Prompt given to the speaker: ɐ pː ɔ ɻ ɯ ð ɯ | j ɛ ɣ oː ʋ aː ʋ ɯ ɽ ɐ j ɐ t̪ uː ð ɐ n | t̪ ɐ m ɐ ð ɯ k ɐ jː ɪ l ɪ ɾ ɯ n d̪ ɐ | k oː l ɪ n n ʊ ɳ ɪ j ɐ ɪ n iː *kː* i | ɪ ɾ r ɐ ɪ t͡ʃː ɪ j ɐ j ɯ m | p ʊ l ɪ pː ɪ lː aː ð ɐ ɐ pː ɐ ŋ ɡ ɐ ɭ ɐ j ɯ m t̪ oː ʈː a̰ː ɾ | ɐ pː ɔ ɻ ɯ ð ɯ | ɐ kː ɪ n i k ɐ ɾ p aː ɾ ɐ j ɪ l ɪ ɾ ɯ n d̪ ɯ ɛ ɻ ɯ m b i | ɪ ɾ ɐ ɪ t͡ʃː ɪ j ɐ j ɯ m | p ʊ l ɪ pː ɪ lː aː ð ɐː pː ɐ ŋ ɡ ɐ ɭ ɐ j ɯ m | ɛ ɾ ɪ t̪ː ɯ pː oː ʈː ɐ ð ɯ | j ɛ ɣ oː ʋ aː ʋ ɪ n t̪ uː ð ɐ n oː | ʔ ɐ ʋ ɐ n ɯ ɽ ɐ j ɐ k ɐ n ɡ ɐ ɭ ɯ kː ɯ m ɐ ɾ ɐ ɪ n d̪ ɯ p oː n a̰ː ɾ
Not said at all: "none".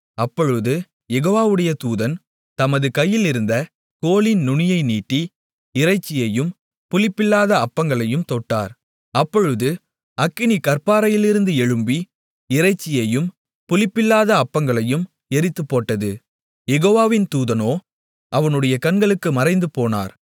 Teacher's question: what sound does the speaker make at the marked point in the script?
ʈː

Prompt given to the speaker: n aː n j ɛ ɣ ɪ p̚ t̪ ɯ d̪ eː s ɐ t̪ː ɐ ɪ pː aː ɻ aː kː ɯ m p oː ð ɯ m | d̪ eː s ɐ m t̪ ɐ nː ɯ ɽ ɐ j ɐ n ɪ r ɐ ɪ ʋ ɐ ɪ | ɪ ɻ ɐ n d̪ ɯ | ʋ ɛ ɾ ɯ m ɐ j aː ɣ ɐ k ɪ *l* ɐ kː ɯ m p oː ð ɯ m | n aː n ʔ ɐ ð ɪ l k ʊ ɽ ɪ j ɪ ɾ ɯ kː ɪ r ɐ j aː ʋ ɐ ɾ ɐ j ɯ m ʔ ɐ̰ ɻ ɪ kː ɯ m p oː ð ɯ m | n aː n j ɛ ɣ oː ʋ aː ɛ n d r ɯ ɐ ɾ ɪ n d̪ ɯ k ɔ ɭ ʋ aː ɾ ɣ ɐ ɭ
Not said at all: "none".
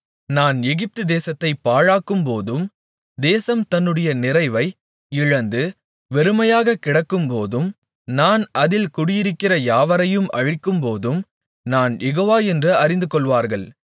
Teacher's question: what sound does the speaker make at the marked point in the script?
ɽ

